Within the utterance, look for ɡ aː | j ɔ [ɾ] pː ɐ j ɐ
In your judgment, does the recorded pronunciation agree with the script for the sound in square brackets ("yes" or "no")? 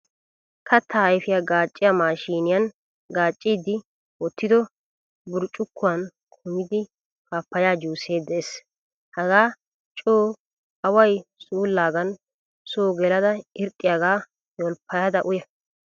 no